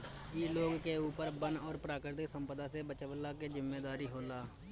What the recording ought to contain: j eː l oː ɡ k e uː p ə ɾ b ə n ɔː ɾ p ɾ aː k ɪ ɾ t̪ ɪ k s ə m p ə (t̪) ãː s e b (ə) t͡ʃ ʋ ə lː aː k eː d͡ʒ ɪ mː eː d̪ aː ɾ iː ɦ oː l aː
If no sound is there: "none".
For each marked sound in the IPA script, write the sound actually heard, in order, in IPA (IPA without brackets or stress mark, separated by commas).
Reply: d̪, ə